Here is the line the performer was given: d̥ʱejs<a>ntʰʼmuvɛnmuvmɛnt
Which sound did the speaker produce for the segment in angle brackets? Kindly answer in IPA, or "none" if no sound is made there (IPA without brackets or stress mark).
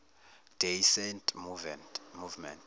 ɛ